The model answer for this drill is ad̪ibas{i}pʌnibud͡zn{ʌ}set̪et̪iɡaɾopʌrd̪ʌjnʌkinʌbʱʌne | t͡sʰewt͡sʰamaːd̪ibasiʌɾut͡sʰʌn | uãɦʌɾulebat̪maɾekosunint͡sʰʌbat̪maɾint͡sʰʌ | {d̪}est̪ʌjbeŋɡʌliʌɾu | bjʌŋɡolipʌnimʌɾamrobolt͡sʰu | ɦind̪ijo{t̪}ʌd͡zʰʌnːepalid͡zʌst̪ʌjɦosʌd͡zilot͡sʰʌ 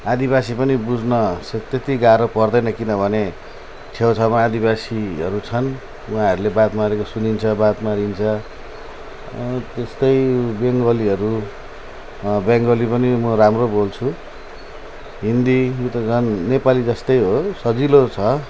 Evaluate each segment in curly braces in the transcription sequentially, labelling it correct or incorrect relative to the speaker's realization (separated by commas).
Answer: correct, correct, incorrect, correct